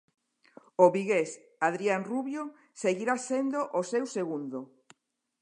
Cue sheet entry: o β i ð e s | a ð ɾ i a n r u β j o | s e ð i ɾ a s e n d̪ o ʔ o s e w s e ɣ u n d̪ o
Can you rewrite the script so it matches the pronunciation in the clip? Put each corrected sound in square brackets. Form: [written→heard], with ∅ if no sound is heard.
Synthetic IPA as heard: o β i [ð→ɣ] e s | a ð ɾ i a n r u β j o | s e [ð→ɣ] i ɾ a s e n d̪ o ʔ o s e w s e ɣ u n d̪ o